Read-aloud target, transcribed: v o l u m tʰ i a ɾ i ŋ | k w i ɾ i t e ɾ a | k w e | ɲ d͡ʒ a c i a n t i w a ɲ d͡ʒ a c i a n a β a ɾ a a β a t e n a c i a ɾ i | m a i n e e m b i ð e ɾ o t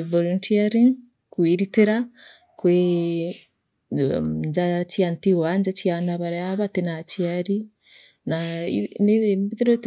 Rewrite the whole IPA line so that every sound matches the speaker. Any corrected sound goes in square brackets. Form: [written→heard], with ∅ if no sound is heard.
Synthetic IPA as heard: v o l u [m→n] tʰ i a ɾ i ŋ | k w i ɾ i t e ɾ a | k w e | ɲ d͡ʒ a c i a n t i w a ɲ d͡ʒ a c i a n a β a ɾ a a β a t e n a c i a ɾ i | [m→n] a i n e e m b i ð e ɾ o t

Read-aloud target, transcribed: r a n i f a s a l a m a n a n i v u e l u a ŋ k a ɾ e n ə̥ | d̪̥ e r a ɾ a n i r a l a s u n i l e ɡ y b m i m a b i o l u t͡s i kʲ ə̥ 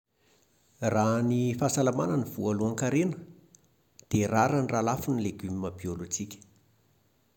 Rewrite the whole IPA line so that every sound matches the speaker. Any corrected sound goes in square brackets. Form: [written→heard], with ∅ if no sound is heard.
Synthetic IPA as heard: r a n i f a s a l a m a n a n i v u [e→a] l u a ŋ k a ɾ e n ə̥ | d̪̥ e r a ɾ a n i r a l a [s→f] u n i l e ɡ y [b→∅] m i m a b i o l u t͡s i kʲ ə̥

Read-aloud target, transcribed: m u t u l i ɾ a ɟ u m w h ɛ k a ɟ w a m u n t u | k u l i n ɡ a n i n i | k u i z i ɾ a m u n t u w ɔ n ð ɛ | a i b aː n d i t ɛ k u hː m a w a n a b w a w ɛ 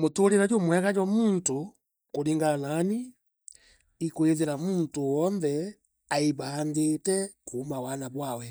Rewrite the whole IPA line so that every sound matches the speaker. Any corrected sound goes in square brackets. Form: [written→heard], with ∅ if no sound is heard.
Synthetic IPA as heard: m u t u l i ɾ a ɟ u m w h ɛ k a ɟ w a m u n t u | k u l i [n→ŋ] ɡ a n [i→a] n i | k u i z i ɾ a m u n t u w ɔ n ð ɛ | a i b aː n d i t ɛ k u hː m a w a n a b w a w ɛ

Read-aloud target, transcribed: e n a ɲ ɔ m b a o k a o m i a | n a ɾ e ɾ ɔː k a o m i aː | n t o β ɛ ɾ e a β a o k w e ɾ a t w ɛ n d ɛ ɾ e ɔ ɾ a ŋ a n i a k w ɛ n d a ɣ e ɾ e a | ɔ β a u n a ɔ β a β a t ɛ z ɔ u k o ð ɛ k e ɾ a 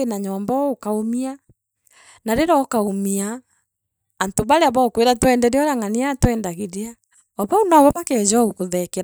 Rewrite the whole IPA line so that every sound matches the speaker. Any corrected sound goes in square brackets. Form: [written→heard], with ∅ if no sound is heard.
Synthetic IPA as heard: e n a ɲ ɔ m b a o k a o m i a | n a ɾ e ɾ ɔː k a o m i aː | n t o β [ɛ→a] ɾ e a β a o k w e ɾ a t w ɛ n d ɛ ɾ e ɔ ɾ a ŋ a n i a [k→t] w ɛ n d a ɣ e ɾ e a | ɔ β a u n a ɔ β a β a [t→k] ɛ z ɔ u k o ð ɛ k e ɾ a

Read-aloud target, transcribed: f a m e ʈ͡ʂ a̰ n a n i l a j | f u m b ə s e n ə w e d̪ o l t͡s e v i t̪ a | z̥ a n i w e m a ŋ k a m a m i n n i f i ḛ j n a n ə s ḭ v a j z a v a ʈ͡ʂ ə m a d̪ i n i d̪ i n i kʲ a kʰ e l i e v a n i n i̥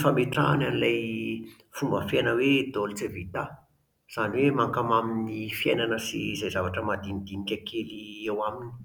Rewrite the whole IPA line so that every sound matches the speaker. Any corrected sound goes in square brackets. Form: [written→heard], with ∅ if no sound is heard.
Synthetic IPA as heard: f a m e ʈ͡ʂ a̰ n a n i l a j | f u m b ə [s→f] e n ə w e d̪ o l t͡s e v i t̪ a | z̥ a n i w e m a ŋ k a m a m i n n i f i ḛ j n a n ə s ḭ [v→z] a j z a v a ʈ͡ʂ ə m a d̪ i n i d̪ i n i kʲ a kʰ e l i e [v→w] a [n→m] i n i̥

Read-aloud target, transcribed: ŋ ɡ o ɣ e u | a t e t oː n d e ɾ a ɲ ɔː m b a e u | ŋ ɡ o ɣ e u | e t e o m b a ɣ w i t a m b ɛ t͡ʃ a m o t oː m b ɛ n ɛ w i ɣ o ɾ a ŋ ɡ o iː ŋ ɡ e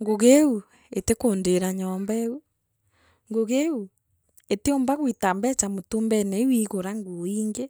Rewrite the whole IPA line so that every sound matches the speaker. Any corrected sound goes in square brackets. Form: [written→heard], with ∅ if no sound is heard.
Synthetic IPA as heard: ŋ ɡ o ɣ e u | [a→e] t e [t→k] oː n d e ɾ a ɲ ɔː m b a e u | ŋ ɡ o ɣ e u | e t e o m b a ɣ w i t a m b ɛ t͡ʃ a m o t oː m b ɛ n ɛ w i ɣ o ɾ a ŋ ɡ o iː ŋ ɡ e

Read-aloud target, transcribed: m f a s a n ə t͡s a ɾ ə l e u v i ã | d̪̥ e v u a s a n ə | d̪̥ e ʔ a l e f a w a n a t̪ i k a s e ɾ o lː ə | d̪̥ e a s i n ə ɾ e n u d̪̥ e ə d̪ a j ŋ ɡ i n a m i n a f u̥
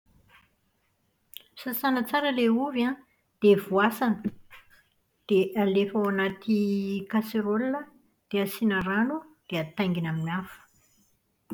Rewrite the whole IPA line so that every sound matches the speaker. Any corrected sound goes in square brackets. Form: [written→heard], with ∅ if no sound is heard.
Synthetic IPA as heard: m [f→s] a s a n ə t͡s a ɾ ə l e u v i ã | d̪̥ e v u a s a n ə | d̪̥ e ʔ a l e f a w a n a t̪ i k a s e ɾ o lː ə | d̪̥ e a s i n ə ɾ [e→a] n u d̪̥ e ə [d̪→t̪] a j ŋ ɡ i n a m i n a f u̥

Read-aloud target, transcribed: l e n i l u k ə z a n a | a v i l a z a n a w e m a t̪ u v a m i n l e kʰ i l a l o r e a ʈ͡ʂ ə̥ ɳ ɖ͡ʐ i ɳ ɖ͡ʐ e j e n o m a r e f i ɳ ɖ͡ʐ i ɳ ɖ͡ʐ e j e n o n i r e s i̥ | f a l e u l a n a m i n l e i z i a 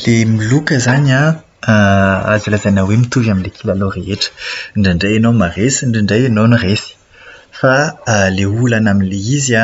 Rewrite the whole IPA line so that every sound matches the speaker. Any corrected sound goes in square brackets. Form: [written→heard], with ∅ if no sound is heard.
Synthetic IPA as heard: l e [n→m] i l u k ə z a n a | a [v→z] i l a z a n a w e m [a→i] t̪ u v a m i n l e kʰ i l a l o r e [a→e] ʈ͡ʂ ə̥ ɳ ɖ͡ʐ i ɳ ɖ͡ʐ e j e n o m a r e [f→s] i ɳ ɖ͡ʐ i ɳ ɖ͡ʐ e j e n o n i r e s i̥ | f a l e u l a n a m i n l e i z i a

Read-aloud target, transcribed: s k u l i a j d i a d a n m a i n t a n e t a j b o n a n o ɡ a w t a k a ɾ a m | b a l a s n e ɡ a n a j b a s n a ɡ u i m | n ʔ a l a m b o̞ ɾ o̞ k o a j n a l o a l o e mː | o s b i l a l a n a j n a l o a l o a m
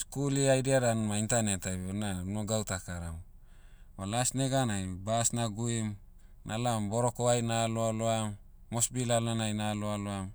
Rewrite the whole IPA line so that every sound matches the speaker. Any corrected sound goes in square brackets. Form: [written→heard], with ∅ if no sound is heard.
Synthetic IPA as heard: s k u l i a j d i a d a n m a i n t a n e t a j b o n a n o ɡ a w t a k a ɾ a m | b a l a s n e ɡ a n a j b a s n a ɡ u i m | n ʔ a l a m b o̞ ɾ o̞ k o a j n a l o a l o [e→a] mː | o s b i l a l a n a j n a l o a l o a m

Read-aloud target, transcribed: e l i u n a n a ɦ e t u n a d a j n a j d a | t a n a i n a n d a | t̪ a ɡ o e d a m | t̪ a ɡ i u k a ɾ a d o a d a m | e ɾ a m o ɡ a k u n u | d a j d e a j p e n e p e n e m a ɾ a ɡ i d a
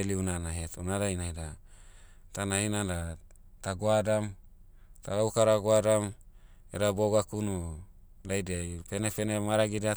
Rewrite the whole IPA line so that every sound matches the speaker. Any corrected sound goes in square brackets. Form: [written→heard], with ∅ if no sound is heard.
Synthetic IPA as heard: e l i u n a n a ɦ e t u n a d a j n a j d a | t a n a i n a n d a | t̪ a ɡ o [e→a] d a m | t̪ a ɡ [i→a] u k a ɾ a [d→ɡ] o a d a m | e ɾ a [m→b] o ɡ a k u n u | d a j d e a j p e n e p e n e m a ɾ a ɡ i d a

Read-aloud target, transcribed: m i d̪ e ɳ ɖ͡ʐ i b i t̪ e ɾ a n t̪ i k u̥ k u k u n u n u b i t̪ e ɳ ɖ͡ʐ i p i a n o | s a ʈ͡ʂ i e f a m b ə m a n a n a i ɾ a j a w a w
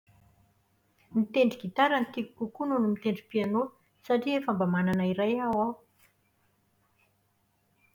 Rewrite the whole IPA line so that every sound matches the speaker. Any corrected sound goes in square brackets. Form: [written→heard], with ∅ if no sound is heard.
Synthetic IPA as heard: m i [d̪→t̪] e ɳ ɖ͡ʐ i [b→ɡ] i t̪ [e→a] ɾ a n t̪ i k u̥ k u k u n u n u [b→m] i t̪ e ɳ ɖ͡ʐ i p i a n o | s a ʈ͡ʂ i e f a m b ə m a n a n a i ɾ a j a w a w

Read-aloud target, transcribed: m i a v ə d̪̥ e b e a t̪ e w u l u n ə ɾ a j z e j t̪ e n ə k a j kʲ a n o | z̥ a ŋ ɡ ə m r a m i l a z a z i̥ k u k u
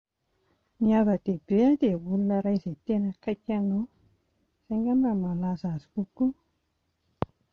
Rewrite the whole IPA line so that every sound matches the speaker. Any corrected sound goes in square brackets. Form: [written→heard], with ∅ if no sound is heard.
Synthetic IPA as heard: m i a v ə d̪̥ e b e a [t̪→d̪] e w u l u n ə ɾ a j z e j t̪ e n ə k a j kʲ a n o | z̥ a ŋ ɡ [ə→a] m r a m [i→a] l a z a z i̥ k u k u

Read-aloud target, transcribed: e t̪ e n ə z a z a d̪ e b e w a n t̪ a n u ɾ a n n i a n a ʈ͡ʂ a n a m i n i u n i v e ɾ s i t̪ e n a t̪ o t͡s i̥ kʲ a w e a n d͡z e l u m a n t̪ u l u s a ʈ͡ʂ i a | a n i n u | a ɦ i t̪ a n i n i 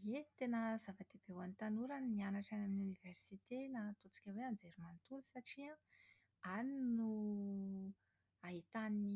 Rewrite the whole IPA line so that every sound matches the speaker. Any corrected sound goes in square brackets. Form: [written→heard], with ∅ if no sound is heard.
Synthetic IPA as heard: e t̪ e n ə z a [z→v] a d̪ e b e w a n t̪ a n u ɾ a n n i a n a ʈ͡ʂ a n a m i n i u n i v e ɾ s i t̪ e n a t̪ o t͡s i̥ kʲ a w e a n d͡z e [l→ɾ] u m a n t̪ u l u s a ʈ͡ʂ i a | a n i n u | a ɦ i t̪ a n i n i

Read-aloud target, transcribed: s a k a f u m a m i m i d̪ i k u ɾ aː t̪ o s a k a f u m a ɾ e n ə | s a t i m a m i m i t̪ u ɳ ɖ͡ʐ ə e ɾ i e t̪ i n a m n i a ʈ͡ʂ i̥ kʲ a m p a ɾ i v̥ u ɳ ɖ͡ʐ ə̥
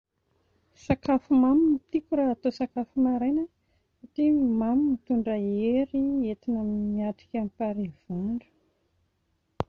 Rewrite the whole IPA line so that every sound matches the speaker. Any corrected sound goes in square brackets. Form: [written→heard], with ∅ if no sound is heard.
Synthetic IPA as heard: s a k a f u m a m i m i [d̪→t̪] i k u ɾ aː t̪ o s a k a f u m a ɾ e n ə | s a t i m a m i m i t̪ u ɳ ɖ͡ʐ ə e ɾ i e t̪ i n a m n i a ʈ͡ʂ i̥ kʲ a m p a ɾ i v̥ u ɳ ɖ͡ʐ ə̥

